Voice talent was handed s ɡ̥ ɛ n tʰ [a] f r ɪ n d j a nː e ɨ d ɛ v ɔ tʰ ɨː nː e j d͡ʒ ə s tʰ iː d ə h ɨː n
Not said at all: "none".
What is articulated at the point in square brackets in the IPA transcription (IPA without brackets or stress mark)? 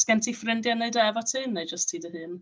i